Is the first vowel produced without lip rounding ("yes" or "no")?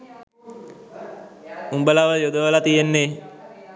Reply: no